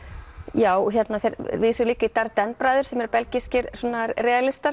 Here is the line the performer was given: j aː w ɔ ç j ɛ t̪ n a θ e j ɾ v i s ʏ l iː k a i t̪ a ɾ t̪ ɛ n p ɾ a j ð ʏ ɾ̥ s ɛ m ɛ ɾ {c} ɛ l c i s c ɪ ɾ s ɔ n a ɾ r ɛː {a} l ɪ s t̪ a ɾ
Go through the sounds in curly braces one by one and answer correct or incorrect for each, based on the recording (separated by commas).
incorrect, correct